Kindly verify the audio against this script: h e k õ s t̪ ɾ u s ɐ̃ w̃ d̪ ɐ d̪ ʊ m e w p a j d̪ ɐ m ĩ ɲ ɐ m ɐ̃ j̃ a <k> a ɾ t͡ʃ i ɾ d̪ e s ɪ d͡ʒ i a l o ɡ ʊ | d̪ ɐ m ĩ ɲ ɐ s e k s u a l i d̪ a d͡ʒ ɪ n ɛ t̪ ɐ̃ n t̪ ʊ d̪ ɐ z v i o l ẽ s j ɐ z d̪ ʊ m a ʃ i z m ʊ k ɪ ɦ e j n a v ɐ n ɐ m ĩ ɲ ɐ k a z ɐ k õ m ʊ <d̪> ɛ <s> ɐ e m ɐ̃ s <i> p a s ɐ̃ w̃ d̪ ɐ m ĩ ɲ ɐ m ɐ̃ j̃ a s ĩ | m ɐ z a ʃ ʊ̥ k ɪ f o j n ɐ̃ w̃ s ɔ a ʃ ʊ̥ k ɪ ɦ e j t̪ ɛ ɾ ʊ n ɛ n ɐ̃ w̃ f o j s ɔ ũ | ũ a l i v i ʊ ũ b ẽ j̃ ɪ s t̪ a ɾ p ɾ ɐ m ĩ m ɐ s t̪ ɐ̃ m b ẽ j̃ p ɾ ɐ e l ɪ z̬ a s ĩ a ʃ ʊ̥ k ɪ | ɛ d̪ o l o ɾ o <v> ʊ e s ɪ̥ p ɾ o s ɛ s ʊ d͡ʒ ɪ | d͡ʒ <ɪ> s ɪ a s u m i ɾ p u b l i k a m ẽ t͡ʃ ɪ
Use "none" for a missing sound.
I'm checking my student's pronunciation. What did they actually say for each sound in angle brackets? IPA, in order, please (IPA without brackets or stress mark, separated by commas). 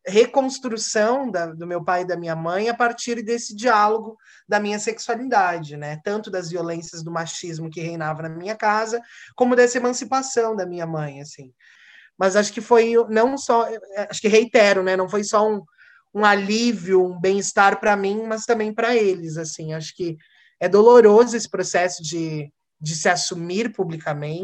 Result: p, d̪, s, i, z, ɪ